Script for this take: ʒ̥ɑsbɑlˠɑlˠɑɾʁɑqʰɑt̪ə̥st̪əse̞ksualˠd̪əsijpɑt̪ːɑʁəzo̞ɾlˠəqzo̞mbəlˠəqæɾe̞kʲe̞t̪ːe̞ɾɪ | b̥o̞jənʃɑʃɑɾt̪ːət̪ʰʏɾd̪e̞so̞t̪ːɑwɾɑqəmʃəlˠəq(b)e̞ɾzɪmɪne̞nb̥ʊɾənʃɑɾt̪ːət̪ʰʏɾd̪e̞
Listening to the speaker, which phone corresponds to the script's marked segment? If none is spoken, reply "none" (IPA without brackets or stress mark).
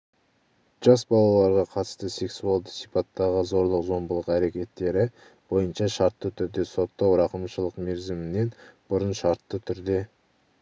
m